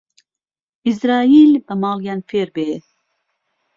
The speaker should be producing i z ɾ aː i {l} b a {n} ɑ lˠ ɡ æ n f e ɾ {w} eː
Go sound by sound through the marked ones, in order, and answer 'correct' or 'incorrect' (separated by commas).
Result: correct, incorrect, incorrect